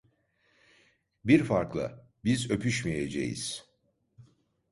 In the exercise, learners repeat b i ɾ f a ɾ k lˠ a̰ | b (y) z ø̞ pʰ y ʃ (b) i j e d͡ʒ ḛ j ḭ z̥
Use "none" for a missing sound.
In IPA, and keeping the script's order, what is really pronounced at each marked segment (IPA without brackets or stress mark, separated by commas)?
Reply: i, m